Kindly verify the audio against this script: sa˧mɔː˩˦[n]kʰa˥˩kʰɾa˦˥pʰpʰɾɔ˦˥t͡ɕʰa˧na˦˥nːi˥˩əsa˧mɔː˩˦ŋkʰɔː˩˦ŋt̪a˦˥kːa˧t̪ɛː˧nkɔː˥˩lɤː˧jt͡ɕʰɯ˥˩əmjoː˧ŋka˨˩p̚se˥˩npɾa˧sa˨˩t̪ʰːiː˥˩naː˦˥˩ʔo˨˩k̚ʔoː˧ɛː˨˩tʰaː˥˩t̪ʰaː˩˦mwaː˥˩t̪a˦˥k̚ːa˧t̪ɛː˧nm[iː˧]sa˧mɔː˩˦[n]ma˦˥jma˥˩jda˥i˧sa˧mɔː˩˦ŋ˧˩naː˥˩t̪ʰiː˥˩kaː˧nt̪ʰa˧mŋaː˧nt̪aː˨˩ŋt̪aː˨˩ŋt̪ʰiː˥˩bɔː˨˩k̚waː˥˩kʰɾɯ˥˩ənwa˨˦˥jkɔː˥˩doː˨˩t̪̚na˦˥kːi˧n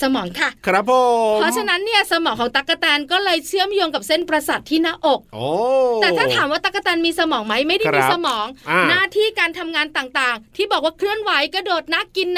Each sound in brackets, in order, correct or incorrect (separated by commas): incorrect, correct, incorrect